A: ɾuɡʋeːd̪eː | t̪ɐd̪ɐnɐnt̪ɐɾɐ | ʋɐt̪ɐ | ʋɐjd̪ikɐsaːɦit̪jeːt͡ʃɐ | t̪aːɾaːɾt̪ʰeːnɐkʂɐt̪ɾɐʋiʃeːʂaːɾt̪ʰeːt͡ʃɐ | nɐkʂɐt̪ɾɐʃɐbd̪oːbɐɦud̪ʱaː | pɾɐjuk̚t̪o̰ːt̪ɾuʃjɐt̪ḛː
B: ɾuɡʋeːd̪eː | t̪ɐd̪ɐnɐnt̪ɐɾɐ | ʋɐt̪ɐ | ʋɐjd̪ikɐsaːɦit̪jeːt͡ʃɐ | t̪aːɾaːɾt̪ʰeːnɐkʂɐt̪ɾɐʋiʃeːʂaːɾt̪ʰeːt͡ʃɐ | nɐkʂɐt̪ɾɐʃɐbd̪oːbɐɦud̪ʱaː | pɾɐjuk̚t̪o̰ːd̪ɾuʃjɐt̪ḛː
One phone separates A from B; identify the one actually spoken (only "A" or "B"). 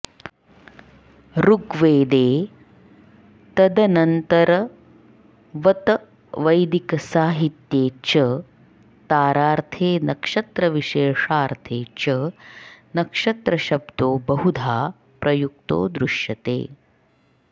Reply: B